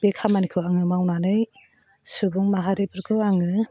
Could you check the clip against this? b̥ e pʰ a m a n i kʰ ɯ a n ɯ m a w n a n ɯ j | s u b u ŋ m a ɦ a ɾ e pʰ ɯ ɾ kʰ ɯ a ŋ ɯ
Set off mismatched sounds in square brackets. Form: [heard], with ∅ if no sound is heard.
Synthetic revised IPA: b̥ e [kʰ] a m a n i kʰ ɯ a [ŋ] ɯ m a w n a n ɯ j | s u b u ŋ m a ɦ a ɾ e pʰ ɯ ɾ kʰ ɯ a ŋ ɯ

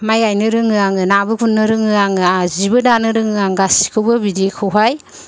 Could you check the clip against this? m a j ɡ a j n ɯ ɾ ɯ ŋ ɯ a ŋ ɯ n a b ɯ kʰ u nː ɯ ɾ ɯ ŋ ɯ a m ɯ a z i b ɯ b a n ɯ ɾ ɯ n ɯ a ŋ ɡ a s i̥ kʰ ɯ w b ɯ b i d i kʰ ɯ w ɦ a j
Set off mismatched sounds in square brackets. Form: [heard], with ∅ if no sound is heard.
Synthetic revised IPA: m a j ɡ a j n ɯ ɾ ɯ ŋ ɯ a ŋ ɯ n a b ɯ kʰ u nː ɯ ɾ ɯ ŋ ɯ a [ŋ] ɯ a z i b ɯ [d] a n ɯ ɾ ɯ [ŋ] ɯ a ŋ ɡ a s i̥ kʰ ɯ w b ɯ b i d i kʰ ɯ w ɦ a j

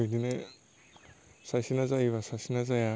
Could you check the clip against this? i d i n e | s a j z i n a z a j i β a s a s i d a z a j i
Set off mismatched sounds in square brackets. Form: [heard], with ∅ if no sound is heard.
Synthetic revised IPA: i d i n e | s a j [s] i n a z a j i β a s a s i [n] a z a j [a]

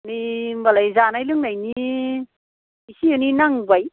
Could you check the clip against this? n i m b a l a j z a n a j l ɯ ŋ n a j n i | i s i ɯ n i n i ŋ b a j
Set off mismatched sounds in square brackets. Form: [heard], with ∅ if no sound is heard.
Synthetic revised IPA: n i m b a l a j z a n a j l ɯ ŋ n a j n i | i s i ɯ n i n [a] ŋ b a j

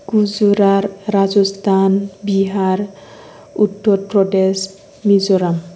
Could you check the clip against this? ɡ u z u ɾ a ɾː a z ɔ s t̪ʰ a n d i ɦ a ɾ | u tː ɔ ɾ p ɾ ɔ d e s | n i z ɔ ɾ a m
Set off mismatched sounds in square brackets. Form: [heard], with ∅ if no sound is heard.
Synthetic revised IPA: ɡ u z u ɾ a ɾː a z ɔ s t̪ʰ a n [b] i ɦ a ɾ | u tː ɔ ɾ p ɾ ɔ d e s | [m] i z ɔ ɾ a m

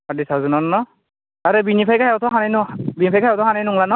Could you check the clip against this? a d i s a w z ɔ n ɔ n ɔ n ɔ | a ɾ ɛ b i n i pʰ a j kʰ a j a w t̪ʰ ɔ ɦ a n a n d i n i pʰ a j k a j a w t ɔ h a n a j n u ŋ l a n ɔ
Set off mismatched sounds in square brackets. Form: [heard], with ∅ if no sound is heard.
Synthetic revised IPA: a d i s a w z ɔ n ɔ n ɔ n ɔ | a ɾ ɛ b i n i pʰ a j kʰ a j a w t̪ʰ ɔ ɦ a n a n [b] i n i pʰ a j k a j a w t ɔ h a n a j n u ŋ l a n ɔ

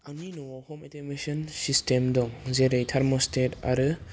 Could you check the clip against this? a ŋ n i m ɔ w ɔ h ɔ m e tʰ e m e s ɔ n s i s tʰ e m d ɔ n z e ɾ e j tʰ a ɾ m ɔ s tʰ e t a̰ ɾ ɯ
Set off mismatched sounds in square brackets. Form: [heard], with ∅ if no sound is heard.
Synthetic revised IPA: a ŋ n i [n] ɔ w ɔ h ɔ m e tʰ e m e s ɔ n s i s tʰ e m d ɔ [ŋ] z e ɾ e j tʰ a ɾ m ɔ s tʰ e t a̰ ɾ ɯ

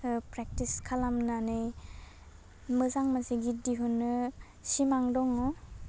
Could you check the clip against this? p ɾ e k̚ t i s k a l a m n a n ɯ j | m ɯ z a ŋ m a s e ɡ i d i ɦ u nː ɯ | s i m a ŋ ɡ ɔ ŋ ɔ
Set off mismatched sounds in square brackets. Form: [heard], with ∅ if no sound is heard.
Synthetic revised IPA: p ɾ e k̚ t i s [kʰ] a l a m n a n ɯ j | m ɯ z a ŋ m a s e ɡ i d i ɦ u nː ɯ | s i m a ŋ [d] ɔ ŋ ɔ

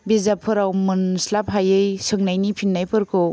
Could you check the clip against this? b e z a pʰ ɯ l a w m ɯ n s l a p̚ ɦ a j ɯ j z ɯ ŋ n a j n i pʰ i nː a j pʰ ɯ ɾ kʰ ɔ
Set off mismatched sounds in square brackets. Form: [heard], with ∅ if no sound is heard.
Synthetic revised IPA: b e z a pʰ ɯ [ɾ] a w m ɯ n s l a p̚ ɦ a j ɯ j [s] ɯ ŋ n a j n i pʰ i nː a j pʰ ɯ ɾ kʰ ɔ

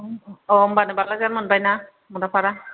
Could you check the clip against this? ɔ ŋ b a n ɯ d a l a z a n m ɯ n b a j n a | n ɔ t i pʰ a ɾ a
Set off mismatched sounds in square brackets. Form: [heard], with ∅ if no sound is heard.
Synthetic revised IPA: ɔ [m] b a n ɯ [b] a l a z a n m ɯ n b a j n a | [m] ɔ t [a] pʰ a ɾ a

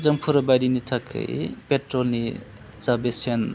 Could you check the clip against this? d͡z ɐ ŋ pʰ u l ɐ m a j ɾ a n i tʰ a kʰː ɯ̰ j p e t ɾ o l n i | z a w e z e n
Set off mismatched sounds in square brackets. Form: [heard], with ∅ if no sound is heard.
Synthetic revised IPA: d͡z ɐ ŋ pʰ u [ɾ] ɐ [b] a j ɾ [i] n i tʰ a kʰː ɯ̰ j p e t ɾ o l n i | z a [b] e [s] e n

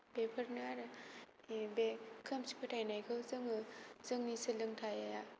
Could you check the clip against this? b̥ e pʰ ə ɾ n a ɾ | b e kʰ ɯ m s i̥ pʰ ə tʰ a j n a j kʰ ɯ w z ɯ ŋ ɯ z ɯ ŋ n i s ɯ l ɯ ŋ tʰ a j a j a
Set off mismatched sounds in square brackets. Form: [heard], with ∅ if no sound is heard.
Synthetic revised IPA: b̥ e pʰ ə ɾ n a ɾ | b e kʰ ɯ m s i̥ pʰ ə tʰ a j n a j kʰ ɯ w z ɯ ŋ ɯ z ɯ ŋ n i s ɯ l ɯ ŋ tʰ a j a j a

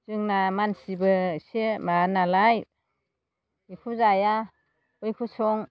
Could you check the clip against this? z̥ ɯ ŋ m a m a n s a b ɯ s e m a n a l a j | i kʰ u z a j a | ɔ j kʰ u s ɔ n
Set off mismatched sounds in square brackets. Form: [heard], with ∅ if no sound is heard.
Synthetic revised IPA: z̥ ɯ ŋ [n] a m a n s [i] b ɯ s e m a n a l a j | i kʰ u z a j a | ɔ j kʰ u s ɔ [ŋ]

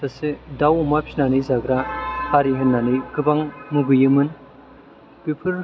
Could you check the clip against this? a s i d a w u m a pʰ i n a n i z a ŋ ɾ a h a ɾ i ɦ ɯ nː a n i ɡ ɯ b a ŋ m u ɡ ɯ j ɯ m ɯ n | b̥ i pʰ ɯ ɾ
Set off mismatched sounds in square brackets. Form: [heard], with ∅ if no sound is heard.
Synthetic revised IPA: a s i d a w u m a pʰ i n a n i z a [ɡ] ɾ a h a ɾ i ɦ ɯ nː a n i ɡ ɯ b a ŋ m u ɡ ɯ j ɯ m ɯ n | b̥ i pʰ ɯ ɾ

